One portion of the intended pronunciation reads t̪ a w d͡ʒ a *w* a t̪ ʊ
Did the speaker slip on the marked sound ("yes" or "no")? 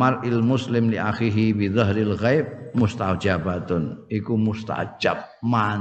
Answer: yes